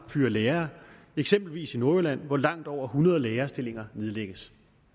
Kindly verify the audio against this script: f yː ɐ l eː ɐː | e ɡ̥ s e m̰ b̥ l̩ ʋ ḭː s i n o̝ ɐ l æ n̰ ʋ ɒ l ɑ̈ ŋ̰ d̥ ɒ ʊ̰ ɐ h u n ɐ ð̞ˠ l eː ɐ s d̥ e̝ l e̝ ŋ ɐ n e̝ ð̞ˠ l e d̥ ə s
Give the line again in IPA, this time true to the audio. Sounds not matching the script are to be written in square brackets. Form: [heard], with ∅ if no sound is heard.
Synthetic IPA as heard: f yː ɐ l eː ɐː | e ɡ̥ s e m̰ b̥ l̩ ʋ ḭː s i n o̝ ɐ l æ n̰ ʋ ɒ l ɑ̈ ŋ̰ d̥ ɒ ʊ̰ ɐ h u n ɐ ð̞ˠ l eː ɐ s d̥ e̝ l e̝ ŋ ɐ n e̝ ð̞ˠ l e [ɡ̥] ə s

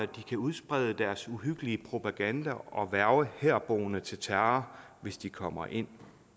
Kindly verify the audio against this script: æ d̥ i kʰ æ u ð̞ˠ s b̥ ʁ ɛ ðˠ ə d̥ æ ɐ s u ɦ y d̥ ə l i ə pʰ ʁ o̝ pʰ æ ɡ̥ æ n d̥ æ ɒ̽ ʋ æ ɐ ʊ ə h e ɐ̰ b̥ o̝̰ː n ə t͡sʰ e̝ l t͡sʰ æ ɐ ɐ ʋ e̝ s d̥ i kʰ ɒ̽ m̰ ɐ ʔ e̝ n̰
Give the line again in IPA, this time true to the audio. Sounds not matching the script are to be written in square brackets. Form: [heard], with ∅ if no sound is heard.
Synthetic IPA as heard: æ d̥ i kʰ æ u ð̞ˠ s b̥ ʁ ɛ ðˠ ə d̥ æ ɐ s u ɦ y [ɡ̥] ə l i ə pʰ ʁ o̝ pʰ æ ɡ̥ æ n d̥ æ ɒ̽ ʋ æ ɐ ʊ ə h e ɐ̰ b̥ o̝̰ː n ə t͡sʰ e̝ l t͡sʰ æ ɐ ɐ ʋ e̝ s d̥ i kʰ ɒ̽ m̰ ɐ ʔ e̝ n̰

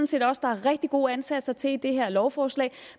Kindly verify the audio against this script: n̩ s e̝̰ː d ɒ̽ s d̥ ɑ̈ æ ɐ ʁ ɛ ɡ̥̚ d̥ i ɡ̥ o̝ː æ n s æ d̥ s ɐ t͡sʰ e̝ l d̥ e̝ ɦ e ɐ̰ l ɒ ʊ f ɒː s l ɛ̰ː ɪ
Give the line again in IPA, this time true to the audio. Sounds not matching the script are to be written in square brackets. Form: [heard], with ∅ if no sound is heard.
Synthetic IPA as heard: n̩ s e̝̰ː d ɒ̽ s d̥ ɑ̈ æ ɐ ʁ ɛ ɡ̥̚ d̥ i ɡ̥ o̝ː æ n s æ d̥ s ɐ t͡sʰ e̝ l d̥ e̝ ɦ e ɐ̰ l ɒ ʊ f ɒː s l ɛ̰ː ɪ

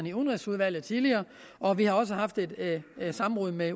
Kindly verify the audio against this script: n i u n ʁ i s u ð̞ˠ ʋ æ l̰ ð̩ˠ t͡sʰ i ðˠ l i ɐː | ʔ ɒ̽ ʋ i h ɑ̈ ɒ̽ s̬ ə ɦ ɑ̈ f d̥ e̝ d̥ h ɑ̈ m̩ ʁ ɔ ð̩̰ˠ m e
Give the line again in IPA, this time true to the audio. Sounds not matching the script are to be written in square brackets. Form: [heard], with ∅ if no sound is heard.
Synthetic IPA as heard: n i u n ʁ i s u ð̞ˠ ʋ æ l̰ ð̩ˠ t͡sʰ i ðˠ l i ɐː | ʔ ɒ̽ ʋ i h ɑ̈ ɒ̽ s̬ ə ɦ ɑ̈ f d̥ e̝ d̥ [s] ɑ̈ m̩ ʁ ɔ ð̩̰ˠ m e

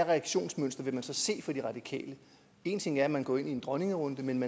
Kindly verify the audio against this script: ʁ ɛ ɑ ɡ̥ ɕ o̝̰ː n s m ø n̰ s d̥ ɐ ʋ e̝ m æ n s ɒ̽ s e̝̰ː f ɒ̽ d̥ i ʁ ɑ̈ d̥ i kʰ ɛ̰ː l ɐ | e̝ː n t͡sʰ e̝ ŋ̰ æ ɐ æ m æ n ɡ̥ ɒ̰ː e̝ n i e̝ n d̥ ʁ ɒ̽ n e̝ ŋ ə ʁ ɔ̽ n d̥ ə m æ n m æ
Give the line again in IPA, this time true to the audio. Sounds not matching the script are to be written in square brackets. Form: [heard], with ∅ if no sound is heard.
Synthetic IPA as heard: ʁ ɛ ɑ ɡ̥ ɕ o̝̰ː n s m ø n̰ s d̥ ɐ ʋ e̝ m æ n s ɒ̽ s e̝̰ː f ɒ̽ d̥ i ʁ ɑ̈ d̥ i kʰ ɛ̰ː l [ə] | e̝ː n t͡sʰ e̝ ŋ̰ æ ɐ æ m æ n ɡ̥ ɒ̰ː e̝ n i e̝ n d̥ ʁ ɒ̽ n e̝ ŋ ə ʁ ɔ̽ n d̥ ə m [e] n m æ

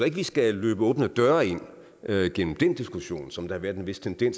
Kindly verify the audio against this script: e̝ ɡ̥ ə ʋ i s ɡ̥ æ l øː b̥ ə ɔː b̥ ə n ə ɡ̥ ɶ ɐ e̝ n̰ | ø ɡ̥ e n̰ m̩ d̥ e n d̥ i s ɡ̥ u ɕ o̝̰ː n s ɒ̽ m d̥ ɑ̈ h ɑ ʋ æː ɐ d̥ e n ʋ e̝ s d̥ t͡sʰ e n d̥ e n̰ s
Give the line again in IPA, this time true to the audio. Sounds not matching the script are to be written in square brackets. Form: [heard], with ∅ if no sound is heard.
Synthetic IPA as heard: e̝ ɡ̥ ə ʋ i s ɡ̥ æ l øː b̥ ə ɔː b̥ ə n ə [d̥] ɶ ɐ e̝ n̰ | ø ɡ̥ e n̰ m̩ d̥ e n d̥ i s ɡ̥ u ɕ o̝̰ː n s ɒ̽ m d̥ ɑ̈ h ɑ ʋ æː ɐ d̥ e n ʋ e̝ s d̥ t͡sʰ e n d̥ e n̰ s

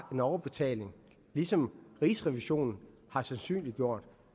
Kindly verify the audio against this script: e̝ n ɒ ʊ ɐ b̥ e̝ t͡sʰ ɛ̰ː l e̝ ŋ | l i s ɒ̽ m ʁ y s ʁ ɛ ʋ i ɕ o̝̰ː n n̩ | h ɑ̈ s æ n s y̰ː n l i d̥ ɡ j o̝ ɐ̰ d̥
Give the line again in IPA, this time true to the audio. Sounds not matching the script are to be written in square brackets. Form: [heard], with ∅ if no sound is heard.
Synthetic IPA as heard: e̝ n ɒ ʊ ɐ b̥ e̝ t͡sʰ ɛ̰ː l e̝ ŋ | l i s ɒ̽ m ʁ [i] s ʁ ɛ ʋ i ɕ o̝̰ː n n̩ | h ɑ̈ s æ n s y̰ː n l i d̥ ɡ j o̝ ɐ̰ d̥

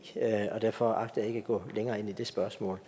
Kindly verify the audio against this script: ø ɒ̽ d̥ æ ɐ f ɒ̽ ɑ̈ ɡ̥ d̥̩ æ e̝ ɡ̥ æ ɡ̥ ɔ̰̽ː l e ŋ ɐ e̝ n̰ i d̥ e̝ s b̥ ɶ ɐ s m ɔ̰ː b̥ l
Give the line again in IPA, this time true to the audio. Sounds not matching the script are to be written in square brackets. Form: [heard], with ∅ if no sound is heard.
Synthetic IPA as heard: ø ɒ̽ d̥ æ ɐ f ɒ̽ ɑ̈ ɡ̥ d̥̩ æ e̝ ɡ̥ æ ɡ̥ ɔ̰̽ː l e ŋ [ɐː] e̝ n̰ i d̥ e̝ s b̥ ɶ ɐ s m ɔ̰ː [∅] l

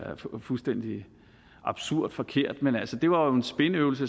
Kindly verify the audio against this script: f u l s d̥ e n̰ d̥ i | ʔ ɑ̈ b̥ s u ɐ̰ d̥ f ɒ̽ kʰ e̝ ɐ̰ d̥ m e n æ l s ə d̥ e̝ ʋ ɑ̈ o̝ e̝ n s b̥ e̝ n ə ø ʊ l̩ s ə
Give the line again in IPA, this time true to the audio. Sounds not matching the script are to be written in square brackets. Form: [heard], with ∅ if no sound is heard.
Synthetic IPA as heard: f u l s d̥ e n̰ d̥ i | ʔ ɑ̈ b̥ s u ɐ̰ d̥ f ɒ̽ kʰ e̝ ɐ̰ d̥ m e n æ l s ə d̥ e̝ ʋ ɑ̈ o̝ e̝ n s b̥ e̝ n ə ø ʊ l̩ s ə

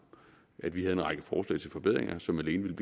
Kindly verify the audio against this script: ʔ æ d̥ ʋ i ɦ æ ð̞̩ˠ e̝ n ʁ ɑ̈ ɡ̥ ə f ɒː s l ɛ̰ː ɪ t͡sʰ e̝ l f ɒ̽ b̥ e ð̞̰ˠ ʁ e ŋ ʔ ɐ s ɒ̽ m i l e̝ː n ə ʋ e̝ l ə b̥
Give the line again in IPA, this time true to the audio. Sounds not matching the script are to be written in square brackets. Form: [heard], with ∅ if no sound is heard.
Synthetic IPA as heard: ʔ æ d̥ ʋ i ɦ æ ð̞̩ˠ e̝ n ʁ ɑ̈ ɡ̥ ə f ɒː s l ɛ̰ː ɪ t͡sʰ e̝ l f ɒ̽ b̥ e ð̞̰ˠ ʁ e ŋ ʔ ɐ s ɒ̽ m [æ] l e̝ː n ə ʋ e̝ l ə b̥

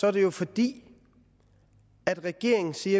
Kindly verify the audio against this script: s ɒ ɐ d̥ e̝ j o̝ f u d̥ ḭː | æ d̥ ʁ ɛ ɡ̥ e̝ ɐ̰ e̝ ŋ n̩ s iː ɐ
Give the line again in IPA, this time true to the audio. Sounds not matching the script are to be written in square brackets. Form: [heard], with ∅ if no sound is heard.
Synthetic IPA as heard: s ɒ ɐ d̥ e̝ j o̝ f [ɒ] d̥ ḭː | æ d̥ ʁ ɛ ɡ̥ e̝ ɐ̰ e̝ ŋ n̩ s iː ɐ

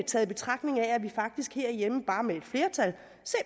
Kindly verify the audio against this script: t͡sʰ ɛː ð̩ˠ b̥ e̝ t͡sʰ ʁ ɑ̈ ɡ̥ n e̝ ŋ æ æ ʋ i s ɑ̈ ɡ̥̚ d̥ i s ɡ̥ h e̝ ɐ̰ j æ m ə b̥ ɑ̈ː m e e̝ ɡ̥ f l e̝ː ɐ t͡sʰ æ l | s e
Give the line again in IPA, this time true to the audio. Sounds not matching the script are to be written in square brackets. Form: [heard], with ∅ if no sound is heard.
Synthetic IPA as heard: t͡sʰ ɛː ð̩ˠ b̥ e̝ t͡sʰ ʁ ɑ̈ ɡ̥ n e̝ ŋ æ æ ʋ i [f] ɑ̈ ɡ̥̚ d̥ i s ɡ̥ h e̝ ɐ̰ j [e] m ə b̥ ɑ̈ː m e e̝ [d̥] f l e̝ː ɐ t͡sʰ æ l | s e

